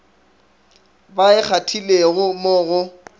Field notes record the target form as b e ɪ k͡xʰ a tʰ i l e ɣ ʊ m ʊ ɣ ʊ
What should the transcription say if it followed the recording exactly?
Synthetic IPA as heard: b a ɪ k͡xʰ a tʰ i l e ɣ ʊ m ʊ ɣ ʊ